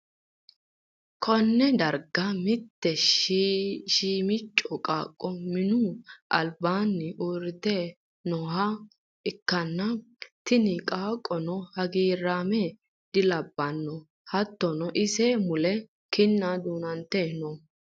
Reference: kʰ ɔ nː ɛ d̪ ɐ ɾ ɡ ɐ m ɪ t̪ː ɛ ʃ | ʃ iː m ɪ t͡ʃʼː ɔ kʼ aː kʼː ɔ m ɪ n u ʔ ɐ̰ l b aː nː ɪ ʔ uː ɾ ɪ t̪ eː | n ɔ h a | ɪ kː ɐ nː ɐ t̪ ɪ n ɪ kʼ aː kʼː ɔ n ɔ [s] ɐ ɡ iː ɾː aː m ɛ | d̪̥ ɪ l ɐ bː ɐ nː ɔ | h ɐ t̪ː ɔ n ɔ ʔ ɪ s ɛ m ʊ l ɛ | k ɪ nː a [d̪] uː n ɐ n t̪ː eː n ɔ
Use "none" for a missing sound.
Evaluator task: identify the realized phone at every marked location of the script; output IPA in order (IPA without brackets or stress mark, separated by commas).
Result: h, d̪